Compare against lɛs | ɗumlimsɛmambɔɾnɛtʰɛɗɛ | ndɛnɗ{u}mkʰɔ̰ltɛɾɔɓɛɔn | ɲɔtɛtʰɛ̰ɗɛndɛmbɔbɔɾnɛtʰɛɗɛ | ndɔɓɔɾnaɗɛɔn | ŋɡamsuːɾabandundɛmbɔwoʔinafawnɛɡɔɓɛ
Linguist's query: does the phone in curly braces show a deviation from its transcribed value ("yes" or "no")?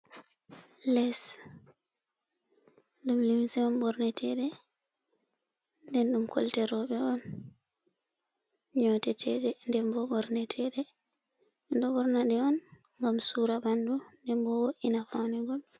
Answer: no